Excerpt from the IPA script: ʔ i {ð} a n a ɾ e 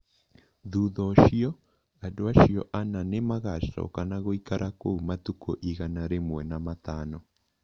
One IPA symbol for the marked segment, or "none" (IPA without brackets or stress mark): ɣ